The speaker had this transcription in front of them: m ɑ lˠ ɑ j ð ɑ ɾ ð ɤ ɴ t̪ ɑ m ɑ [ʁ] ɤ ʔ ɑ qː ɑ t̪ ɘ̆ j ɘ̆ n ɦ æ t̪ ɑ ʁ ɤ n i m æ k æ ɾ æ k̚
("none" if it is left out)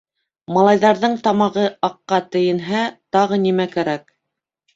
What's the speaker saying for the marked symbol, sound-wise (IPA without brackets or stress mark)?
ʁ